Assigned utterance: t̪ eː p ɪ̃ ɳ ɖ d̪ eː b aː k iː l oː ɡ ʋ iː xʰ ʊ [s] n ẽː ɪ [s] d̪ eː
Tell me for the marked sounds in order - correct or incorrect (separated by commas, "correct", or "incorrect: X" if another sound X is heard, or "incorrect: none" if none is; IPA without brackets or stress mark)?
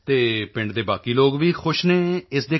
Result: incorrect: ʃ, correct